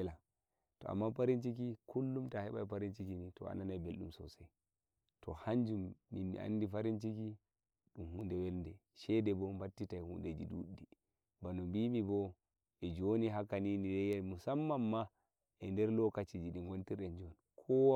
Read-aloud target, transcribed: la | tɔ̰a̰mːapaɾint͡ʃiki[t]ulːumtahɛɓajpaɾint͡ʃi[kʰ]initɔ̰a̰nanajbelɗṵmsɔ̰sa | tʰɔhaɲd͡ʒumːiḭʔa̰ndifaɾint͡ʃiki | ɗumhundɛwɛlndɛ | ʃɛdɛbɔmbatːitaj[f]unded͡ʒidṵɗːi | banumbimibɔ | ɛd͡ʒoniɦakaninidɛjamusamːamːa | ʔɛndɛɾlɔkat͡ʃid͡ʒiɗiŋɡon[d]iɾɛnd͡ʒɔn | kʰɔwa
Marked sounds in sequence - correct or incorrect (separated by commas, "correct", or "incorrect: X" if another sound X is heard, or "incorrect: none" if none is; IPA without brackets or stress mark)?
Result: incorrect: k, incorrect: k, incorrect: h, incorrect: t